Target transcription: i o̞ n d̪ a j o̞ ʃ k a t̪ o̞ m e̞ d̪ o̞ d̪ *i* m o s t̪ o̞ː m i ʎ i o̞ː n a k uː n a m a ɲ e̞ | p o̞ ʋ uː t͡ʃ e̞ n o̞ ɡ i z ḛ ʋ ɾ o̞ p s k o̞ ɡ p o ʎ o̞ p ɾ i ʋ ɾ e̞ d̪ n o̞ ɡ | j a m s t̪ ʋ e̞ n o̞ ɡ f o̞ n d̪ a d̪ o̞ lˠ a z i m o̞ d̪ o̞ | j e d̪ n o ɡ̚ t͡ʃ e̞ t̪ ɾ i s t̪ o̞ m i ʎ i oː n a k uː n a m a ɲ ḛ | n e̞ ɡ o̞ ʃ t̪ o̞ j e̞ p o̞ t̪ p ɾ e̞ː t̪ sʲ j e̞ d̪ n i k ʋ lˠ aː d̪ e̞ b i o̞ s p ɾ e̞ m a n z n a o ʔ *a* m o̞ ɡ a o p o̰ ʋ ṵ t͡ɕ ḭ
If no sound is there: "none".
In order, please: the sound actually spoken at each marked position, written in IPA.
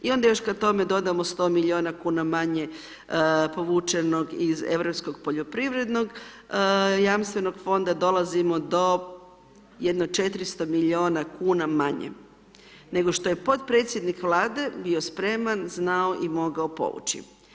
a, i

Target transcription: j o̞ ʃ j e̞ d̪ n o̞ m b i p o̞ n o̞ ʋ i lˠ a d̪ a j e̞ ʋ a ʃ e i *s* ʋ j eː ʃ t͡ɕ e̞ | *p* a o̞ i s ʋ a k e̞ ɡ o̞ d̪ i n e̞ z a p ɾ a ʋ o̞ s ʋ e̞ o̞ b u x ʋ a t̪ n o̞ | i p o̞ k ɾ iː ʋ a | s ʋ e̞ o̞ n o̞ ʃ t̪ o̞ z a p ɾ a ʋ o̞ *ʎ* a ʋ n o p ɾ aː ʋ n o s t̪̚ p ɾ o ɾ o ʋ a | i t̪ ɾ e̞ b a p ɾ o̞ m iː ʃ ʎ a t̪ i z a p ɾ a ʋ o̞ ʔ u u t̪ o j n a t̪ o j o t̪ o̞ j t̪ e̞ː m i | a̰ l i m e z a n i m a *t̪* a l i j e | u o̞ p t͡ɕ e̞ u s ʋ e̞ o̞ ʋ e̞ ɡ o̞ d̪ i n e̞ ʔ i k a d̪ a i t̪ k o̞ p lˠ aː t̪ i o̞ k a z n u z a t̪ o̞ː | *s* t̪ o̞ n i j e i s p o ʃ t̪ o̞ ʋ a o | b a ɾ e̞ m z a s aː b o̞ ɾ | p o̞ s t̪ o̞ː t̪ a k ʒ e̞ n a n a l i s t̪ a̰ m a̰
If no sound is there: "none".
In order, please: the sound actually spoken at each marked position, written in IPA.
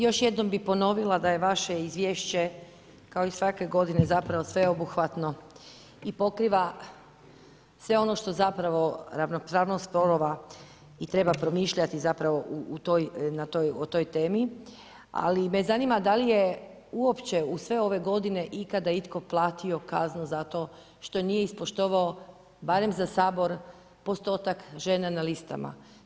z, k, ɾ, d̪, ʃ

